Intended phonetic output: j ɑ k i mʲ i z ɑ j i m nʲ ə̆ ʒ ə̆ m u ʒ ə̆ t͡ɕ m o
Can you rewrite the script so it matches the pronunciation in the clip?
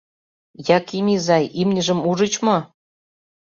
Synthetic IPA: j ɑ k i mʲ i z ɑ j i m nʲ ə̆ ʒ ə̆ m u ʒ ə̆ t͡ɕ m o